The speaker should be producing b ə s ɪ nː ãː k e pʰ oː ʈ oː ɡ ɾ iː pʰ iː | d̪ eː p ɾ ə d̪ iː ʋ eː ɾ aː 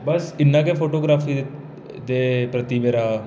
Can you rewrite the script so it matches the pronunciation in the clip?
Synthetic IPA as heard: b ə s ɪ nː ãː k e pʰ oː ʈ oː ɡ ɾ aː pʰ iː | d̪ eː p ɾ ə t̪ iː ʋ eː ɾ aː